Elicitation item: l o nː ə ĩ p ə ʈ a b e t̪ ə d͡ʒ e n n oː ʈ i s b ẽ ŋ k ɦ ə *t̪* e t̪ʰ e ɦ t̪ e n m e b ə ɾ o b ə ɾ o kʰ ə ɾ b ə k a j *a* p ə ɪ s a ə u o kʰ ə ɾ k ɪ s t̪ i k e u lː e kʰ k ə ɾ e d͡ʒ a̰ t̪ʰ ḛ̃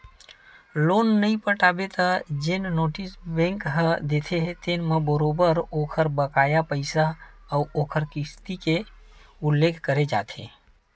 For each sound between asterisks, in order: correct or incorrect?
incorrect: d̪, correct

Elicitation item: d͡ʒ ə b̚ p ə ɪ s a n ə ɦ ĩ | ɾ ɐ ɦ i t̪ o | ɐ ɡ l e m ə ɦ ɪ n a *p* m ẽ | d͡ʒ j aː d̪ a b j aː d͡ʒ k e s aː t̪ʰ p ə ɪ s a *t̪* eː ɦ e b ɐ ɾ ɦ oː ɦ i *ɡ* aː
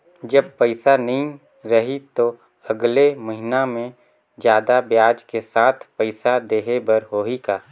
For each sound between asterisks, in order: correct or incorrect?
incorrect: none, incorrect: d̪, incorrect: k

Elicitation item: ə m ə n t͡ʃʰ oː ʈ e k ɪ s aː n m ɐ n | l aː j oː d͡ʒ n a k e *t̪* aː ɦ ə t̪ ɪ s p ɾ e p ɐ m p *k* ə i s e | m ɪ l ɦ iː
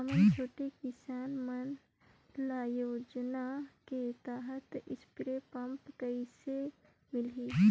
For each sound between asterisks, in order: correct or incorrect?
correct, correct

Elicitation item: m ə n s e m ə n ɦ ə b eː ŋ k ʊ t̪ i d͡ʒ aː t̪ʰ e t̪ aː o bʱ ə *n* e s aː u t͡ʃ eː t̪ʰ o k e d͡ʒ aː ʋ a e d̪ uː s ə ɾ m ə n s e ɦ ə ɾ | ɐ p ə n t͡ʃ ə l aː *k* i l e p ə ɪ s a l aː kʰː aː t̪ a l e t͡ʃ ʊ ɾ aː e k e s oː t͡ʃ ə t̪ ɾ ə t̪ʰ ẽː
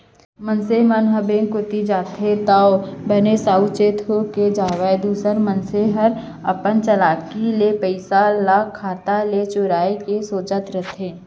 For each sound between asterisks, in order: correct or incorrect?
correct, correct

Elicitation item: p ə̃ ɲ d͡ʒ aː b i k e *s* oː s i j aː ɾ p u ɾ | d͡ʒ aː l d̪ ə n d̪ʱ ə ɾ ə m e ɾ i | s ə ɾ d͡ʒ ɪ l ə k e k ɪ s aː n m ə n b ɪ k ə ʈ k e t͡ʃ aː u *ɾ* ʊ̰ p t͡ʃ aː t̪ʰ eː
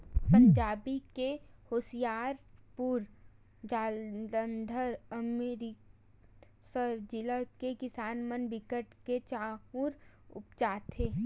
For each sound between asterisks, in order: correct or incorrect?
incorrect: h, correct

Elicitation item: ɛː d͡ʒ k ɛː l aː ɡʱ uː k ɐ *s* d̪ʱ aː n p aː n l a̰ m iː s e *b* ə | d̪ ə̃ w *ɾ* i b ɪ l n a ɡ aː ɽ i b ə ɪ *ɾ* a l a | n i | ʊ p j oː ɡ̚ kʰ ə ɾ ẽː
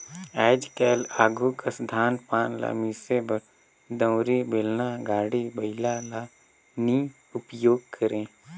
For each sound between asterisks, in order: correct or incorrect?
correct, correct, correct, incorrect: l

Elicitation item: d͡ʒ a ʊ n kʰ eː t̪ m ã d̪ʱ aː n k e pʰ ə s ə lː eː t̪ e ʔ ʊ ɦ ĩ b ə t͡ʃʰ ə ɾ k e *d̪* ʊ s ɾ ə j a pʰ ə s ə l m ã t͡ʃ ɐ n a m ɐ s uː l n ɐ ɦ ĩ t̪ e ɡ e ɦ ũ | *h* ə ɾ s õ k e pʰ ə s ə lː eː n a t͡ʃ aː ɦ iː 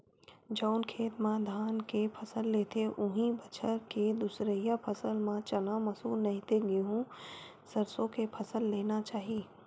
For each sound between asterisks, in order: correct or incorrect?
correct, incorrect: s

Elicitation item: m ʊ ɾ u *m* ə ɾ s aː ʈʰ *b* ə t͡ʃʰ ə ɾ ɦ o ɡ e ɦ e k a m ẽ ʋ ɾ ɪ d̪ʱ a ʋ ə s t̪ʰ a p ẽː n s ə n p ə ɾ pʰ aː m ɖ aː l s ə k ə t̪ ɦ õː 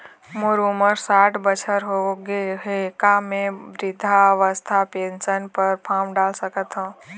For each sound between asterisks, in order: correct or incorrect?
correct, correct

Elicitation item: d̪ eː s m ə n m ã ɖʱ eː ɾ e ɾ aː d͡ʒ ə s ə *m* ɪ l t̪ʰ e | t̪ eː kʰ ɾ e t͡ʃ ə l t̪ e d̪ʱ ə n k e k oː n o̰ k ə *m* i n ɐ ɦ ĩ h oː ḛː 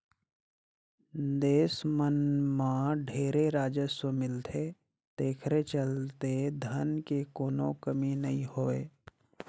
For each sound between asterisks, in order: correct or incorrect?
correct, correct

